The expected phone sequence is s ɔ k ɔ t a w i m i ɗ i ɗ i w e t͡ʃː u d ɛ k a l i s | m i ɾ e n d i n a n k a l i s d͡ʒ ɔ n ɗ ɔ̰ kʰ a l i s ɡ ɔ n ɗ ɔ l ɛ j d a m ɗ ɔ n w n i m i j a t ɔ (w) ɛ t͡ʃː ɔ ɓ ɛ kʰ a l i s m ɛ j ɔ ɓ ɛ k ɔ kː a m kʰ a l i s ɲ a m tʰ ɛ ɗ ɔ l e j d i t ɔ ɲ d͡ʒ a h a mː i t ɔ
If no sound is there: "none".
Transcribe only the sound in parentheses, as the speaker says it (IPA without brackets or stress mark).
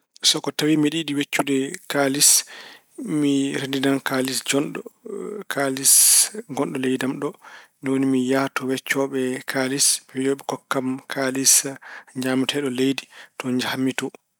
w